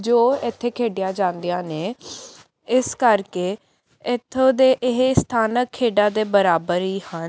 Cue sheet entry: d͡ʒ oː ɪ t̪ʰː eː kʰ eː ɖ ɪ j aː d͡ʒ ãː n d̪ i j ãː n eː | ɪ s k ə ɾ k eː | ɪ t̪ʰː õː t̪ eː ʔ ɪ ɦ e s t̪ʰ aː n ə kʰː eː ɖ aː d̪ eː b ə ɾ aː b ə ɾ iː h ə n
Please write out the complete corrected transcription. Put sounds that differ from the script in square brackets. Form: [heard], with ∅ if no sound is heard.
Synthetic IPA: d͡ʒ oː ɪ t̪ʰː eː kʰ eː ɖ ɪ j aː d͡ʒ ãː n d̪ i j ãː n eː | ɪ s k ə ɾ k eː | ɪ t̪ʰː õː [d̪] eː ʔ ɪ ɦ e s t̪ʰ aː n ə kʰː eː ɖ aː d̪ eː b ə ɾ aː b ə ɾ iː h ə n